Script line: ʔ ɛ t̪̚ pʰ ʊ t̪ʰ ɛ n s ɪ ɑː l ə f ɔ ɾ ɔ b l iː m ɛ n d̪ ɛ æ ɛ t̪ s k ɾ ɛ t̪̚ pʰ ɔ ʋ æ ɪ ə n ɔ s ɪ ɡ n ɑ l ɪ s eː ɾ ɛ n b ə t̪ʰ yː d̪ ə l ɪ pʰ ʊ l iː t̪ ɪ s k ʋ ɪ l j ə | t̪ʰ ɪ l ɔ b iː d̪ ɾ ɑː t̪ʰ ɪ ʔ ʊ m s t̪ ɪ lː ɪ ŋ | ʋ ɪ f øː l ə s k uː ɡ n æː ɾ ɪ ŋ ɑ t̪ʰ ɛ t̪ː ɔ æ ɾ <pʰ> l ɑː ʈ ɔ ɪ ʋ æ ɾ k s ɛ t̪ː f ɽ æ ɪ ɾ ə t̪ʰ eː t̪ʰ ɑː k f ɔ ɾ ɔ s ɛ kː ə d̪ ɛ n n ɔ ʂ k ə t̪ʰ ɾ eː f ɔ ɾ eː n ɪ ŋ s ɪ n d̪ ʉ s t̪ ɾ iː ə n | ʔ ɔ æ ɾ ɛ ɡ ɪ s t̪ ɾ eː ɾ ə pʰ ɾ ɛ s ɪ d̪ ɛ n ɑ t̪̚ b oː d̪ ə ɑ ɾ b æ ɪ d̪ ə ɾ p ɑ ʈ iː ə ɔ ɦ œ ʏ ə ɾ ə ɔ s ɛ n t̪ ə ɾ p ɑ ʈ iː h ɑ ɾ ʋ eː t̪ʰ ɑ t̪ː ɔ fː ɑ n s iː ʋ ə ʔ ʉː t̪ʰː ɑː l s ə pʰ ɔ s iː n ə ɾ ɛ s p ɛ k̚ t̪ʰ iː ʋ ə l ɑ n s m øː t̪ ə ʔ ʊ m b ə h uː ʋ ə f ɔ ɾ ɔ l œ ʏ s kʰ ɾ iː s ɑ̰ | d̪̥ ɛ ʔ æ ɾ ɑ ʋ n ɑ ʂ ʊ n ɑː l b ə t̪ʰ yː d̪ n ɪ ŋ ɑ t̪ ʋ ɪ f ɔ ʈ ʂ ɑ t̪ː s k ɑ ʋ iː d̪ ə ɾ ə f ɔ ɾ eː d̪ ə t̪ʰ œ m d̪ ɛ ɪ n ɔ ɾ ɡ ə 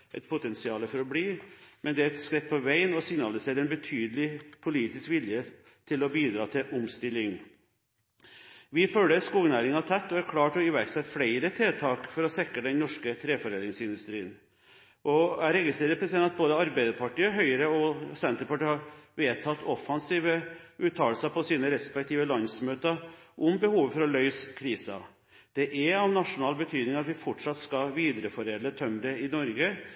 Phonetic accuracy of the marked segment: incorrect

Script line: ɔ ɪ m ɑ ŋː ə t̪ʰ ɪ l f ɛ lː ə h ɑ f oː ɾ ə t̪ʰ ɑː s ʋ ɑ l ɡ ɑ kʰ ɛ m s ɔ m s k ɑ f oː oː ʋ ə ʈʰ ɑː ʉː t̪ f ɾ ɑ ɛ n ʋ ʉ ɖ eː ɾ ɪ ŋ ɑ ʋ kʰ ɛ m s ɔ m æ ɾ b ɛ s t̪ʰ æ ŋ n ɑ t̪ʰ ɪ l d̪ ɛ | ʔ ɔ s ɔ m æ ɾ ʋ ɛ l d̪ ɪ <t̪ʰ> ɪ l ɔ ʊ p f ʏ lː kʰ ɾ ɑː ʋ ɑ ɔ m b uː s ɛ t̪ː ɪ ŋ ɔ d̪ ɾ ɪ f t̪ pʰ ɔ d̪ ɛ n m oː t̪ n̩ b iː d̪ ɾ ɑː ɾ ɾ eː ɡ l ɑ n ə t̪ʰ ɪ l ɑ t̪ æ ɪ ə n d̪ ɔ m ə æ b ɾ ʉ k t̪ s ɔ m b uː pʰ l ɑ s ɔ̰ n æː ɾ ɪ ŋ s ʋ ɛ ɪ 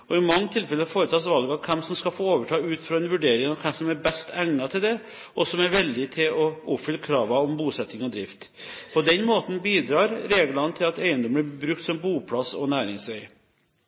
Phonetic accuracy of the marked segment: correct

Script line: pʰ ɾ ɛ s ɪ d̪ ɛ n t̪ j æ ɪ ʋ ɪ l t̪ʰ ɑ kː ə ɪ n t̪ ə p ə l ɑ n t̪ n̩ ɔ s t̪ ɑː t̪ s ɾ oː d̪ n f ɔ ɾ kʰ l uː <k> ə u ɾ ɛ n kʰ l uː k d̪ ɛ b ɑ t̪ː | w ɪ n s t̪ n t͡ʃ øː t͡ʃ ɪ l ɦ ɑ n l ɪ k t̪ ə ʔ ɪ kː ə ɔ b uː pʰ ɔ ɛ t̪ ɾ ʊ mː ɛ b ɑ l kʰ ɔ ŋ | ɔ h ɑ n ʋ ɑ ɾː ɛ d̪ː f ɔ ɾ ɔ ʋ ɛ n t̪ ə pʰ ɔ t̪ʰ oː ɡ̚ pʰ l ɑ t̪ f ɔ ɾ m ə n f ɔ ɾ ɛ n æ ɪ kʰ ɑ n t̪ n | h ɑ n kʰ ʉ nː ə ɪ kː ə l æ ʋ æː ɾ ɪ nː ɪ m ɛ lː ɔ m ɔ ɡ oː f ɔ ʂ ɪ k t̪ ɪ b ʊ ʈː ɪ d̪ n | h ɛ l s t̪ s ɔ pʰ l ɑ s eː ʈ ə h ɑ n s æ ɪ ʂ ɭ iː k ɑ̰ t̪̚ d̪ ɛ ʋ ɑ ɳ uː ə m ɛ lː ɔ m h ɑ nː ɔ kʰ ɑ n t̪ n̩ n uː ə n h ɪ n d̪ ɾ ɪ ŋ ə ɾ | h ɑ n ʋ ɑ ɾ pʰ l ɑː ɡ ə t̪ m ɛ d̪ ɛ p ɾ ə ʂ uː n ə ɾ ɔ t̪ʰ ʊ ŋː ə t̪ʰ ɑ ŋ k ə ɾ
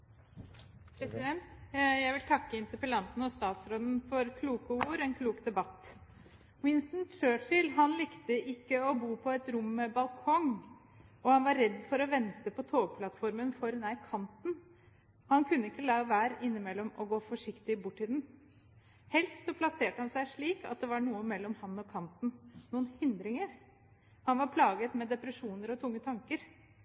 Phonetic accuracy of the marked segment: correct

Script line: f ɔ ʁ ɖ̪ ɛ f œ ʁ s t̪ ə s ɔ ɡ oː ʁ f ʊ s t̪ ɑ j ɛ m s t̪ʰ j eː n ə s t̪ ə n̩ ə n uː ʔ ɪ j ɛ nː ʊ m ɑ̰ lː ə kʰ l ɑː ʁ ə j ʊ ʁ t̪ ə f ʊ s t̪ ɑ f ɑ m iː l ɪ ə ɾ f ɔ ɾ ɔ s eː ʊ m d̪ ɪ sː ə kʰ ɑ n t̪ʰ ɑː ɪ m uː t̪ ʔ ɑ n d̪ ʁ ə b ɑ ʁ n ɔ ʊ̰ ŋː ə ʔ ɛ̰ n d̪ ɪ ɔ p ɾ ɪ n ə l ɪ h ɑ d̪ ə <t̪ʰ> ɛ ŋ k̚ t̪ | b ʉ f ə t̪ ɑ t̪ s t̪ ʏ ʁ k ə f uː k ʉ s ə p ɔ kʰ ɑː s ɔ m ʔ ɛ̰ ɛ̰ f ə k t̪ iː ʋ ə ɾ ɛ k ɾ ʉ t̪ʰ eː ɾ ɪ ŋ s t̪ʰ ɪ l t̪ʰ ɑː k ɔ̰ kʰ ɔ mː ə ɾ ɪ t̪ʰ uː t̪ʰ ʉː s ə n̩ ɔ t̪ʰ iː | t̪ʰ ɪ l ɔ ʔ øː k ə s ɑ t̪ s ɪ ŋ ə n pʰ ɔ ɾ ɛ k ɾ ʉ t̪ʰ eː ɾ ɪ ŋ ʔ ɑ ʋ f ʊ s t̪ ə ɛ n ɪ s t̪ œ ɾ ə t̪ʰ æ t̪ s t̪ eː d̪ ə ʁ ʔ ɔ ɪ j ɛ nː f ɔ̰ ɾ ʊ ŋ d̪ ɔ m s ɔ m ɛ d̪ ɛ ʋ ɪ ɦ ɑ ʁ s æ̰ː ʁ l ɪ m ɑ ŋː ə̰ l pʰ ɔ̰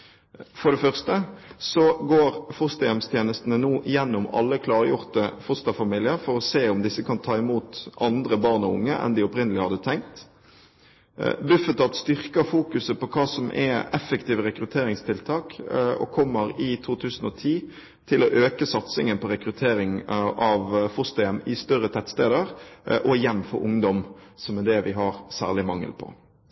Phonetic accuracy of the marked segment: correct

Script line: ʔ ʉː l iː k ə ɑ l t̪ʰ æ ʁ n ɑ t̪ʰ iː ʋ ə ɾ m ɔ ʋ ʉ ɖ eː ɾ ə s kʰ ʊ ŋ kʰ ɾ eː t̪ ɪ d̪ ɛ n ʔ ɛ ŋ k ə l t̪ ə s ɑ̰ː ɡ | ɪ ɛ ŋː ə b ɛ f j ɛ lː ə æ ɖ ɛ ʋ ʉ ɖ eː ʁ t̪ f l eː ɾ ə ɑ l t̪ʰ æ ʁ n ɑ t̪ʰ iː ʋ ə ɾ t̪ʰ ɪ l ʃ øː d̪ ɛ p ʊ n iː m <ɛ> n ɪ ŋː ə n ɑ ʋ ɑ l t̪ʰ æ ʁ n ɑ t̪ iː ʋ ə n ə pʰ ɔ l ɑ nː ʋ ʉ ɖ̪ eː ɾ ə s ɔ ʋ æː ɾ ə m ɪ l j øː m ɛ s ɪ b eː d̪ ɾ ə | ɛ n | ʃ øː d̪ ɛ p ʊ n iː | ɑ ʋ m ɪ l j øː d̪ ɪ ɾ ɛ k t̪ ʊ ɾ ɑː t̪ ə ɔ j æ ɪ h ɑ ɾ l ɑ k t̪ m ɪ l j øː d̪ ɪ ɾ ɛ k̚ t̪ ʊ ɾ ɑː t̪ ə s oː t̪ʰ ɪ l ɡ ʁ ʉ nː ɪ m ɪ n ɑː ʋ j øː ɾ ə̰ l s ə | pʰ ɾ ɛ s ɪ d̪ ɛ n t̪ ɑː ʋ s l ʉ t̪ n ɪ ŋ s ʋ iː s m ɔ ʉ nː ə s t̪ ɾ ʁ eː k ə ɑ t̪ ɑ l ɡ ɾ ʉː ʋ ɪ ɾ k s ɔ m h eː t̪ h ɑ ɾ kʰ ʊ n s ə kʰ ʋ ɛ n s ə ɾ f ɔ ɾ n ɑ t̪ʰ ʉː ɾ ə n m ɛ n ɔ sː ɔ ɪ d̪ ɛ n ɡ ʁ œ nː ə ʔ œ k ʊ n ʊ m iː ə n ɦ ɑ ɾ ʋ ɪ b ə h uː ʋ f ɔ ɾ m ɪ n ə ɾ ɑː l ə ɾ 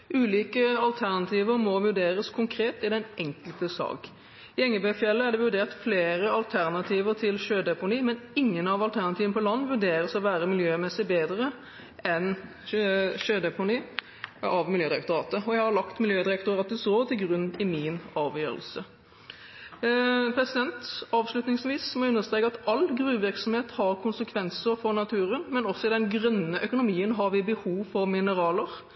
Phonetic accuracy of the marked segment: correct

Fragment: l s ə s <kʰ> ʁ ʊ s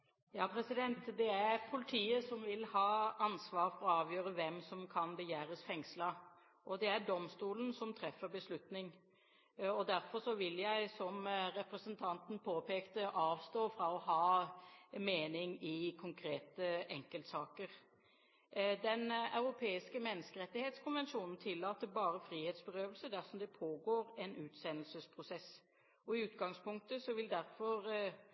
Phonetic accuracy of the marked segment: incorrect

